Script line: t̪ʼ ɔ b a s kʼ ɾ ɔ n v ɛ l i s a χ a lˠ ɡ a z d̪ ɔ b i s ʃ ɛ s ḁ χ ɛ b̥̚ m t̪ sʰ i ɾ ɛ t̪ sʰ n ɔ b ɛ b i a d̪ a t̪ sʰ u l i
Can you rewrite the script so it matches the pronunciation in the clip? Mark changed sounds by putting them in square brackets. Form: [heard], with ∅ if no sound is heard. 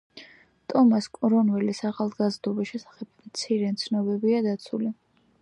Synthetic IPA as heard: t̪ʼ ɔ [m] a s kʼ ɾ ɔ n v ɛ l i s a χ a lˠ ɡ a z d̪ ɔ b i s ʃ ɛ s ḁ χ ɛ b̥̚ m t̪ sʰ i ɾ ɛ t̪ sʰ n ɔ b ɛ b i a d̪ a t̪ sʰ u l i